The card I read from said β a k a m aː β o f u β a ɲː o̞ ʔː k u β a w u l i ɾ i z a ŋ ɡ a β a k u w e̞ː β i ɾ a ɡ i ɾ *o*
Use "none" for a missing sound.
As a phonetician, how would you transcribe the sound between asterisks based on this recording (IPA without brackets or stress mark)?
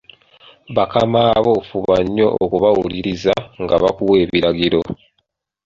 o